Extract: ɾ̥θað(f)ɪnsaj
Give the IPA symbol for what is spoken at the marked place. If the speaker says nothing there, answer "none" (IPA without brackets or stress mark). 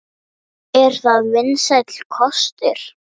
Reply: v